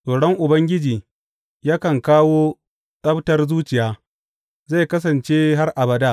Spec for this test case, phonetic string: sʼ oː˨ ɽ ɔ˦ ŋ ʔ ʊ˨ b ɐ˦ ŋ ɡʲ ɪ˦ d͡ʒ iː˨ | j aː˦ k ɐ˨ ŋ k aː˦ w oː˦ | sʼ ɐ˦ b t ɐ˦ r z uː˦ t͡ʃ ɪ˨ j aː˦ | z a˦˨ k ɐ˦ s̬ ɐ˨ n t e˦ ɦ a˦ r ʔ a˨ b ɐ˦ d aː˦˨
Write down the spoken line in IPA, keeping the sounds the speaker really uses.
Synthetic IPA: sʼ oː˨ ɽ ɔ˦ ŋ ʔ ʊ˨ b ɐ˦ ŋ ɡʲ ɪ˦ d͡ʒ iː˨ | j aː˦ k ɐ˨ ŋ k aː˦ w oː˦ | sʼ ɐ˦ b t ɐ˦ r z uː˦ t͡ʃ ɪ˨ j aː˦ | z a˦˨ k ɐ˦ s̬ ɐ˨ n t͡ʃ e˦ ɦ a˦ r ʔ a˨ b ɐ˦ d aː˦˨